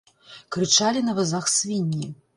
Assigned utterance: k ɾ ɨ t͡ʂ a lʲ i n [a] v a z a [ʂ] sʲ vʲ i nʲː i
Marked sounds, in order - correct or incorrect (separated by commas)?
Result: incorrect, incorrect